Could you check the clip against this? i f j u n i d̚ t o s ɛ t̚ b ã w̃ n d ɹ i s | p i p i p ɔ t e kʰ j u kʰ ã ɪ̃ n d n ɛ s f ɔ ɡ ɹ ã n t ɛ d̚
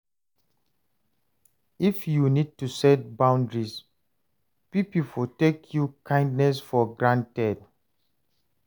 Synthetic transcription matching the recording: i f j u n i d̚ t u s ɛ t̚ b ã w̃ n d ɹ i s | p i p i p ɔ t e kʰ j u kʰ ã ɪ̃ n d n ɛ s f ɔ ɡ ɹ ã n t ɛ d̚